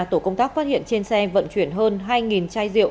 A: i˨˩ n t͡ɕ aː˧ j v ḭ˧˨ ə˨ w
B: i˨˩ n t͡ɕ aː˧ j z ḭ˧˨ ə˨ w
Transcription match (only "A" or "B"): B